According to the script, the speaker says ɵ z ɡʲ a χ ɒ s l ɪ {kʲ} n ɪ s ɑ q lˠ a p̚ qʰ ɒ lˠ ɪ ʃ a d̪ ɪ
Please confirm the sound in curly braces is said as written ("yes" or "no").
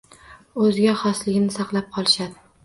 no